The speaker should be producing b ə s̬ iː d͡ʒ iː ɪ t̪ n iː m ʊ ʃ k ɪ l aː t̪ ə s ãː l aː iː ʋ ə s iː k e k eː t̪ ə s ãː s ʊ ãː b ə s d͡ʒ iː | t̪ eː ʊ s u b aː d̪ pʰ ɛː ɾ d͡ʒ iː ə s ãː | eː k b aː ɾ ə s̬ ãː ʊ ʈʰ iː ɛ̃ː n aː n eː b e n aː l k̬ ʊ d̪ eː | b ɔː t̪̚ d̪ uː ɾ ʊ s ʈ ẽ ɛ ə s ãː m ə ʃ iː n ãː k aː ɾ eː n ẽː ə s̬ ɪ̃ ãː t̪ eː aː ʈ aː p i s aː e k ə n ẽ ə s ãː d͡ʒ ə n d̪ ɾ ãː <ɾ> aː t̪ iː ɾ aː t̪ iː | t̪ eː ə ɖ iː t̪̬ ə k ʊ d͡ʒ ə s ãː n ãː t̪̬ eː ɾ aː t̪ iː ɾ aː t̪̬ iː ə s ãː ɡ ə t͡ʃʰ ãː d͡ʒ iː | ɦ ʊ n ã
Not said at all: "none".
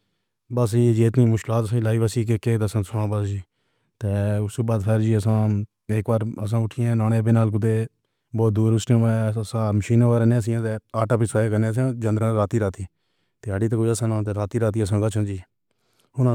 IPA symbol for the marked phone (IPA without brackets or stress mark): ɾ